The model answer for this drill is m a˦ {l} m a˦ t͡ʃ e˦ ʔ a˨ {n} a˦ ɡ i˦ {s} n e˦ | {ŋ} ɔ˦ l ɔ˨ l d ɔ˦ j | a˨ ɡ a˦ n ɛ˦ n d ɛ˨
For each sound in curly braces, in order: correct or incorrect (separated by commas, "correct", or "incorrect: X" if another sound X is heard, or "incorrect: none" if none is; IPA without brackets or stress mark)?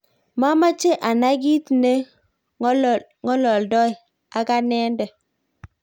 incorrect: none, correct, incorrect: t, correct